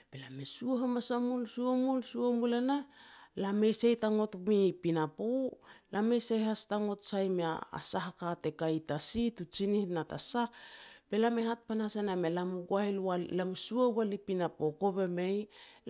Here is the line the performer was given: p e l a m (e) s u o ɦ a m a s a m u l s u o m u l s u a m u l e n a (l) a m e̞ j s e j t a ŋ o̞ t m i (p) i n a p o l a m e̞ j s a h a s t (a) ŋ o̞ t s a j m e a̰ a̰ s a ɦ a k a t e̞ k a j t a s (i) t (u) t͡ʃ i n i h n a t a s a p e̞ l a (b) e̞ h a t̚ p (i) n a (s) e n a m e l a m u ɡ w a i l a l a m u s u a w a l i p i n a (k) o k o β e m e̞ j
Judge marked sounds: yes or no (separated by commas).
yes, yes, yes, yes, yes, yes, no, no, yes, no